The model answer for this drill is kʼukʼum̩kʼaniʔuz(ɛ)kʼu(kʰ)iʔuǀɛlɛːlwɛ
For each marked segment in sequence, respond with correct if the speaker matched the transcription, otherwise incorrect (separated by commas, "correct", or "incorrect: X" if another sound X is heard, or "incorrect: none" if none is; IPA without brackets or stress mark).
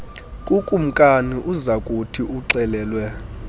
incorrect: a, incorrect: tʰ